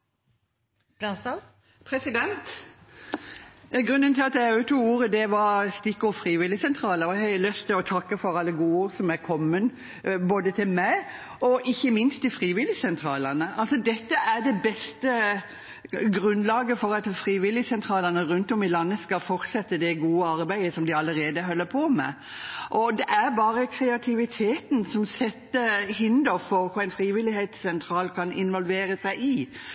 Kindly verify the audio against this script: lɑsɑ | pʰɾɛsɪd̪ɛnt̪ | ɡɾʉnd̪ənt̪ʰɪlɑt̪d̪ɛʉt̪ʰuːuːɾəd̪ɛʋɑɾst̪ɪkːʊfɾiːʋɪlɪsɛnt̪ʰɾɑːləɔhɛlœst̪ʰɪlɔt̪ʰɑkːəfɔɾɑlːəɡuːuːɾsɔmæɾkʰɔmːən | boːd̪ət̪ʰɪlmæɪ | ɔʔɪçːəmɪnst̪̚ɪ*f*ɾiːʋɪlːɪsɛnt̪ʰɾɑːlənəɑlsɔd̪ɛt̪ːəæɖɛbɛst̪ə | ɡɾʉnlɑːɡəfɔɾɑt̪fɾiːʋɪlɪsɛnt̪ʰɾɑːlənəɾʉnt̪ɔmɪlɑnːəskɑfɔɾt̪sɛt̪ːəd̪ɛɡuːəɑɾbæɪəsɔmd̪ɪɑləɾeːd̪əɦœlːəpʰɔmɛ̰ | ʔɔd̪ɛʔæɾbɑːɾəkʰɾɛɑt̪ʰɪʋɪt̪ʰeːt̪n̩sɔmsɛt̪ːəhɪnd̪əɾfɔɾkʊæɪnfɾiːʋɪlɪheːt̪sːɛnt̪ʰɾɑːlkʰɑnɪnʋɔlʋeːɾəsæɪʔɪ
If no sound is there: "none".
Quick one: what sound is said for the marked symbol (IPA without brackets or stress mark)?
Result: f